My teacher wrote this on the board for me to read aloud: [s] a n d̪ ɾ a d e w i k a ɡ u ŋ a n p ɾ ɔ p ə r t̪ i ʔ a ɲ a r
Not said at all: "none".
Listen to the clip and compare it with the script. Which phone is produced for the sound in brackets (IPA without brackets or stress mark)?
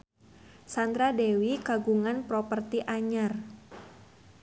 s